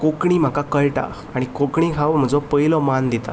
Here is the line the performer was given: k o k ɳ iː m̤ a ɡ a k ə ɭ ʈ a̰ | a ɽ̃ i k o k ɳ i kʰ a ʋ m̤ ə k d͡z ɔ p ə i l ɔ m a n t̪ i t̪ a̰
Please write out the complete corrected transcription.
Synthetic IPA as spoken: k o k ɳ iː m̤ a k a k ə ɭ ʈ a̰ | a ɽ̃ i k o k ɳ i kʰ a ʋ m̤ ə d͡z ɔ p ə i l ɔ m a n d̪ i t̪ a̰